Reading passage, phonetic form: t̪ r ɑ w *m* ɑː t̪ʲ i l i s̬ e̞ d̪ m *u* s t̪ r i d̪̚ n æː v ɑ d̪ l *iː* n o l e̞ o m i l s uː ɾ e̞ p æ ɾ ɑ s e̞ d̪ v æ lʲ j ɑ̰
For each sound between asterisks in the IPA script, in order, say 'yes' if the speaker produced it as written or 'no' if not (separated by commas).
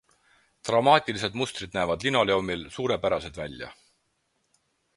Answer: yes, yes, no